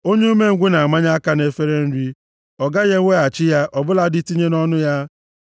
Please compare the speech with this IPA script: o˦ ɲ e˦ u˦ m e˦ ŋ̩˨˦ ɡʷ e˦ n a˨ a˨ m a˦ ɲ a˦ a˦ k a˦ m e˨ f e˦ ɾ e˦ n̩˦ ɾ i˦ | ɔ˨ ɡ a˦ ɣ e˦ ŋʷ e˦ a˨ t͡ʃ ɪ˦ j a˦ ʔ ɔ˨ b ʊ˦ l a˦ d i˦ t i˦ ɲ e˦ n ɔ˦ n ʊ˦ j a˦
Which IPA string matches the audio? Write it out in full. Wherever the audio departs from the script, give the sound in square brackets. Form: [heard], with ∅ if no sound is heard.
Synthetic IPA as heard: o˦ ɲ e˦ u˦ m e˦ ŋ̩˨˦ ɡʷ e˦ n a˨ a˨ m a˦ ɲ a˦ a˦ k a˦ [n] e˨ f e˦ ɾ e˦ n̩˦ ɾ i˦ | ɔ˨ ɡ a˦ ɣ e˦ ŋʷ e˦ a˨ t͡ʃ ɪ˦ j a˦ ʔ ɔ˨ b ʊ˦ l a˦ d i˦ t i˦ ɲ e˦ n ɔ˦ n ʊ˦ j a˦